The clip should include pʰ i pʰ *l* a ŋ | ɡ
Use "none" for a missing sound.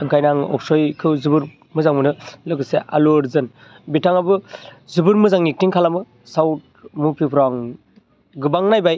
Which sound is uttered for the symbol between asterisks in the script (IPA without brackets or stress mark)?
ɾ